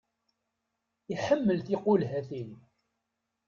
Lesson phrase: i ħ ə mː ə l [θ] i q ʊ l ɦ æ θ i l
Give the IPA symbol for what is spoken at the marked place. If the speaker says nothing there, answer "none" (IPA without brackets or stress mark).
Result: θ